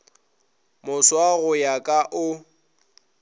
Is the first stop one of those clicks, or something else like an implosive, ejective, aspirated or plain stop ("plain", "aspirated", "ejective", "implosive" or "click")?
ejective